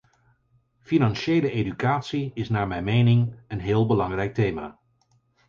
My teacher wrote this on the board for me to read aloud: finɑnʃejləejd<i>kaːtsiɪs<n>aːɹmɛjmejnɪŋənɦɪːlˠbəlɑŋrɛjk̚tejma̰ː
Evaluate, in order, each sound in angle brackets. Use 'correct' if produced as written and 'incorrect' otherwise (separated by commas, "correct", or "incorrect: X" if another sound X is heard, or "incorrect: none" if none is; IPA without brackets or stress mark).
incorrect: y, correct